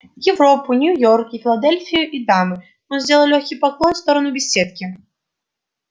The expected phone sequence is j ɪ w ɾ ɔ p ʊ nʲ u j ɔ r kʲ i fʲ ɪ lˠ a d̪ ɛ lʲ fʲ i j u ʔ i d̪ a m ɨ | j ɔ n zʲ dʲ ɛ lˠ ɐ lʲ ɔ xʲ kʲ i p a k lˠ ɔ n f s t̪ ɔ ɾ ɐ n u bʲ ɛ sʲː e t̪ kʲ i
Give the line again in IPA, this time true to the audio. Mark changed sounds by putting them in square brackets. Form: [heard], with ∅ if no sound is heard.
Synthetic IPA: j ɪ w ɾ ɔ p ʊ nʲ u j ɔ r kʲ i fʲ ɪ lˠ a d̪ ɛ lʲ fʲ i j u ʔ i d̪ a m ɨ | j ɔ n zʲ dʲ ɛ lˠ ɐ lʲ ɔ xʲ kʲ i p a k lˠ ɔ n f s t̪ ɔ ɾ ɐ n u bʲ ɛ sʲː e t̪ kʲ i